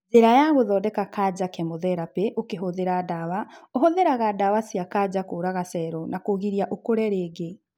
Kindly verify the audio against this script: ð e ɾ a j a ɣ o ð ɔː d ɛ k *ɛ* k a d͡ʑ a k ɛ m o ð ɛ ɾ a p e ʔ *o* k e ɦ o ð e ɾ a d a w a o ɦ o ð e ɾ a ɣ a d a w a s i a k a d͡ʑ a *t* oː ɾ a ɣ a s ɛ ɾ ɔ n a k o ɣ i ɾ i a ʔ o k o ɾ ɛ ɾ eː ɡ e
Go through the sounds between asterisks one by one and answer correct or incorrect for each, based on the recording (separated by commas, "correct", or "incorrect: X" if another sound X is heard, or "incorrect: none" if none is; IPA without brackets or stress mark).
incorrect: a, correct, incorrect: k